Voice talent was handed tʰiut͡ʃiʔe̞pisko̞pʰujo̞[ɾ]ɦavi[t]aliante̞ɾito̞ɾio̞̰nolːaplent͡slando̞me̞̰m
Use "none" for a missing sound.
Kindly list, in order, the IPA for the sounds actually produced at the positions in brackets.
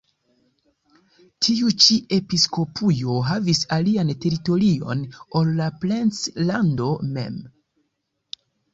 none, s

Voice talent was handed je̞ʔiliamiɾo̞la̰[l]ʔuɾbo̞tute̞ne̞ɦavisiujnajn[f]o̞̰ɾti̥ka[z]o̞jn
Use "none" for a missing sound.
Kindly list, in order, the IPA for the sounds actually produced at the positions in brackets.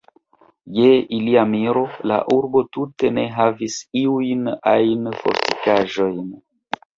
none, f, ʒ

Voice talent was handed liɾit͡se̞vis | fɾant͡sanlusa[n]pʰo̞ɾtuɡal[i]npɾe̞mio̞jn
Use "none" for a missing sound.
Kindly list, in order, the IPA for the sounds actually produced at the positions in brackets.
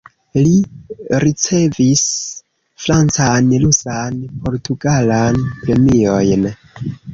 n, a

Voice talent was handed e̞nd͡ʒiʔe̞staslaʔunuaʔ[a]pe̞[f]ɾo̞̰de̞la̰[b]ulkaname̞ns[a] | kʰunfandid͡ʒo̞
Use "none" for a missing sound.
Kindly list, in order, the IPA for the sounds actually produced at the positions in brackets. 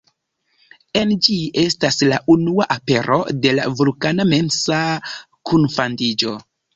a, none, v, a

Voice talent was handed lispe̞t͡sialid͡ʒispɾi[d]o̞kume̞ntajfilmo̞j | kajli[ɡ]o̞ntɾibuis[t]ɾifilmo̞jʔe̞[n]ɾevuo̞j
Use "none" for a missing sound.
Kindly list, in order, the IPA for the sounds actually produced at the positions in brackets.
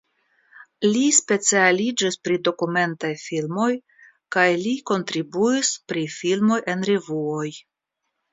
d, k, p, n

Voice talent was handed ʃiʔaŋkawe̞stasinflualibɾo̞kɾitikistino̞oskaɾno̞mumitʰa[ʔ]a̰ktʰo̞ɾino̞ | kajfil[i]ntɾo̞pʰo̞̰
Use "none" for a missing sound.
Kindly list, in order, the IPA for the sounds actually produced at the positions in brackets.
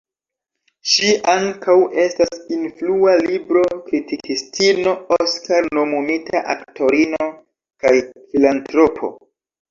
ʔ, a

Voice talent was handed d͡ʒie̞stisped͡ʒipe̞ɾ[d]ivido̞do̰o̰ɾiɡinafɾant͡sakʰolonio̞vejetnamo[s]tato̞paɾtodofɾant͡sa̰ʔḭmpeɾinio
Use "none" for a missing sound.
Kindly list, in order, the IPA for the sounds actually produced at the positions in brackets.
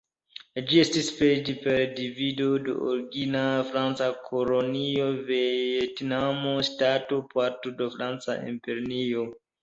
d, s

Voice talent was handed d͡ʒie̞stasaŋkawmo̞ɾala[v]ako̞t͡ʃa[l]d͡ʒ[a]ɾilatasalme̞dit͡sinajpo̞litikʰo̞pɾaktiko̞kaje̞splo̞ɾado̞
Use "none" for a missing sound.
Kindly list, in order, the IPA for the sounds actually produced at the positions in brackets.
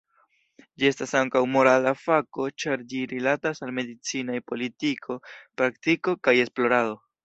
f, ɾ, i

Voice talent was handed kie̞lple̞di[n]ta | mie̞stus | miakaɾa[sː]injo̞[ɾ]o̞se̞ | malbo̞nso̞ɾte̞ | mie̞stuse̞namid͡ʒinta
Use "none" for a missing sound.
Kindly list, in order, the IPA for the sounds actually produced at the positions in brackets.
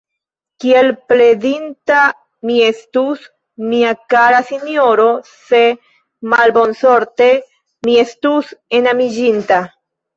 n, s, ɾ

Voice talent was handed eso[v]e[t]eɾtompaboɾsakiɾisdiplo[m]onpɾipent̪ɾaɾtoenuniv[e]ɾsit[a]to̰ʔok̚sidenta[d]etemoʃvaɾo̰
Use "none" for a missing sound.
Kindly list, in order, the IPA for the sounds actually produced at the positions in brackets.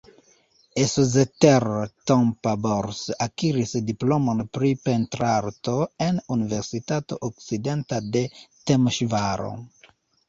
z, t, m, e, a, d

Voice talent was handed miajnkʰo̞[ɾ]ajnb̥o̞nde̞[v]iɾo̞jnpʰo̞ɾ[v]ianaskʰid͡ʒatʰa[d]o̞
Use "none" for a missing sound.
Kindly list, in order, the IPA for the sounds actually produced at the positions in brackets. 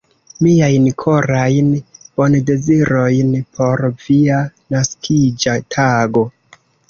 ɾ, z, v, ɡ

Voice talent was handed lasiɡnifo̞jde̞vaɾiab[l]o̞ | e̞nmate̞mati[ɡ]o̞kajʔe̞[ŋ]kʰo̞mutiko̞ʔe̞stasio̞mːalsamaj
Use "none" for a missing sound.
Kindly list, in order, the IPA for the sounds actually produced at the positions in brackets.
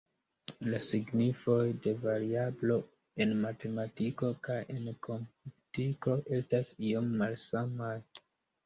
l, k, n

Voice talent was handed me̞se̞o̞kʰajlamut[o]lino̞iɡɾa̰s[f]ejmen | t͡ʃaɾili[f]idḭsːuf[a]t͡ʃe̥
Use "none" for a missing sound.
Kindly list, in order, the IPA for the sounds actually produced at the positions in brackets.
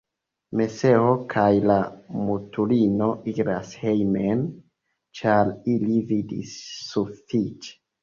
u, h, v, i

